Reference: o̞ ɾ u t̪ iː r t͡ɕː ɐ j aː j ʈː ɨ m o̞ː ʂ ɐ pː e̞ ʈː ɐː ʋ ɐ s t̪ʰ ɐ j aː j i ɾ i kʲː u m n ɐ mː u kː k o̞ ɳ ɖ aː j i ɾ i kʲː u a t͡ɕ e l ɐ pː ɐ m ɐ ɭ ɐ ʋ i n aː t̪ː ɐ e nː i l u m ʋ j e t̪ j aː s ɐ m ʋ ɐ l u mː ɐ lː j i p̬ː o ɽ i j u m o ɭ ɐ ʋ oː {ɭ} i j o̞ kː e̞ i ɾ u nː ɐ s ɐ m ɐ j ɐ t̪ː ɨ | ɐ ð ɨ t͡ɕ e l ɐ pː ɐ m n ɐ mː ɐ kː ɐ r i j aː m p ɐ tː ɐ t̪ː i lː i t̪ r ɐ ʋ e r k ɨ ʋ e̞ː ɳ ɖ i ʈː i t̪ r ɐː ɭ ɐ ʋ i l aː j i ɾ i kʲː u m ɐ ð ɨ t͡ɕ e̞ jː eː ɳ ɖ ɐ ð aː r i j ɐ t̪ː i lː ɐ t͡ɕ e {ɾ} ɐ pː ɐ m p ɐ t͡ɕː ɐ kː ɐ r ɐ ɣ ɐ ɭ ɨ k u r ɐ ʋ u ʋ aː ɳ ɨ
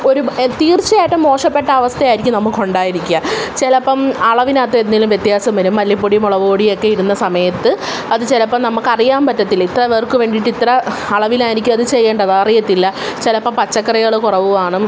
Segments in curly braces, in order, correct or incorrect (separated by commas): incorrect, incorrect